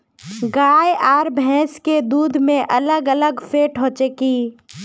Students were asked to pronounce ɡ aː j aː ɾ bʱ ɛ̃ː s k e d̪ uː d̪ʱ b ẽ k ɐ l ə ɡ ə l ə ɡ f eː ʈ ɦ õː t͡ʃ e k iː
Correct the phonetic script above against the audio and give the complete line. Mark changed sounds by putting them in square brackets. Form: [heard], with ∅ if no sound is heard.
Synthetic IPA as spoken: ɡ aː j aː ɾ bʱ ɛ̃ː s k e d̪ uː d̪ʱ [m] ẽ [ʔ] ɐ l ə ɡ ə l ə ɡ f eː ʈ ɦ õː t͡ʃ e k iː